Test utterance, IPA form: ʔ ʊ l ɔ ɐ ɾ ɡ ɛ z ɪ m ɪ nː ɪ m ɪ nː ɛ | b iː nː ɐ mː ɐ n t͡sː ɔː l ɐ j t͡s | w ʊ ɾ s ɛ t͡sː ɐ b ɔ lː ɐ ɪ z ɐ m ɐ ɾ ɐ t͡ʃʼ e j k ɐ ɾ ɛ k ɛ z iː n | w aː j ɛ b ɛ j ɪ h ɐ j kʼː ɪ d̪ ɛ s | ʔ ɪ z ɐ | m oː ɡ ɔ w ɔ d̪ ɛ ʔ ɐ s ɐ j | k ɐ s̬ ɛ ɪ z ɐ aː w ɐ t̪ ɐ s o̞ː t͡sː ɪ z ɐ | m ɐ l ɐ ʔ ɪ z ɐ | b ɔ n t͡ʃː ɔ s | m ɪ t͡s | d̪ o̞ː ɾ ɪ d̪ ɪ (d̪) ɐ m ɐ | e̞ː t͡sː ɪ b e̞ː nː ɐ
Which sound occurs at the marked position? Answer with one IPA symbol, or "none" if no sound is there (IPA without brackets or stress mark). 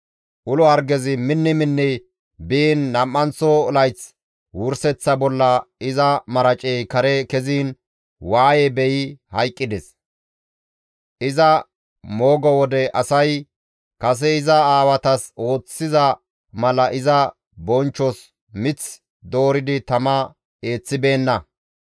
t̪